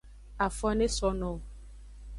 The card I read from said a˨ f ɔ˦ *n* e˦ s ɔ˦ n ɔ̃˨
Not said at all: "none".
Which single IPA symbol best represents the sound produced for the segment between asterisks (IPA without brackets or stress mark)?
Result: n